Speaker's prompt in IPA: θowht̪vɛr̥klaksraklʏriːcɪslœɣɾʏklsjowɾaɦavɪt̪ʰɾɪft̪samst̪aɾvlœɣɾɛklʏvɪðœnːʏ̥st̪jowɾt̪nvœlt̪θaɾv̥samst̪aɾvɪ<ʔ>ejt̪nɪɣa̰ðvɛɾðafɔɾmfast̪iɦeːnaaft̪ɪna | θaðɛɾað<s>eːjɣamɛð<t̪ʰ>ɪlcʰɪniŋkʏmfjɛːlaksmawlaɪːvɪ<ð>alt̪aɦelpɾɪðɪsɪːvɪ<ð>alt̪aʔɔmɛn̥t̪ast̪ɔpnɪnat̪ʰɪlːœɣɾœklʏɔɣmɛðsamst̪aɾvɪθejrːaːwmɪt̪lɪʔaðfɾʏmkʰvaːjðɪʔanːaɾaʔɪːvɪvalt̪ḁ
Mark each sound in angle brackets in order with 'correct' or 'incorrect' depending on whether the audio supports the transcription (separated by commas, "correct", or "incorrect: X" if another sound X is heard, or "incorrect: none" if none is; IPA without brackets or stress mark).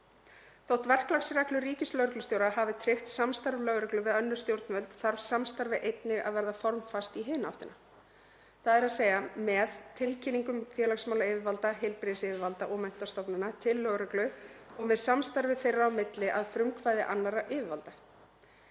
correct, correct, correct, incorrect: v, incorrect: v